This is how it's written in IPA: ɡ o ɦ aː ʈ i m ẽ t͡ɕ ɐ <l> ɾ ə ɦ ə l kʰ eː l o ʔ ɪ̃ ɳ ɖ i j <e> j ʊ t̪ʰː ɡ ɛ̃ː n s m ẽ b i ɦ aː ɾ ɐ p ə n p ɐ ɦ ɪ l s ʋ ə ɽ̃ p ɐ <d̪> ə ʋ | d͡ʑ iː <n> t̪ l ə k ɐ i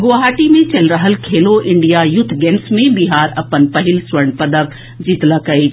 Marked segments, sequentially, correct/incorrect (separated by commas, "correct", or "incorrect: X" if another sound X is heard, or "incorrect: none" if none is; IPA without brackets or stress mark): correct, incorrect: a, correct, incorrect: none